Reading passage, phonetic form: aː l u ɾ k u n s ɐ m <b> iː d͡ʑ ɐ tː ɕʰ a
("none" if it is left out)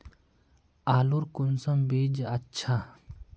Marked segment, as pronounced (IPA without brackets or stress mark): b